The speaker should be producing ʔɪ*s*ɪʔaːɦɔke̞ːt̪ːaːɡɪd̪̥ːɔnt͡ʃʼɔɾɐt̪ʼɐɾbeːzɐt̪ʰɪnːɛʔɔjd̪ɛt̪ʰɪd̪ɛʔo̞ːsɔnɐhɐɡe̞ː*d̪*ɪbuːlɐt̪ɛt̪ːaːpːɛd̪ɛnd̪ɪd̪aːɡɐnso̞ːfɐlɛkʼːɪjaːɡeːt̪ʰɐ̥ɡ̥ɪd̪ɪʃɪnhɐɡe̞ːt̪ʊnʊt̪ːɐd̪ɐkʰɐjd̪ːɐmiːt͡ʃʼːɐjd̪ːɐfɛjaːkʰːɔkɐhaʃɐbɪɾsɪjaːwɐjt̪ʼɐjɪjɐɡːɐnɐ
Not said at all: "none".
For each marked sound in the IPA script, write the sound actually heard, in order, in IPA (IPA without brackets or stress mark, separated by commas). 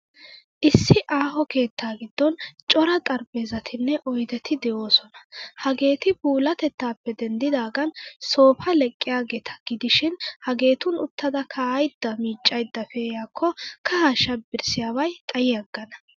sː, t̪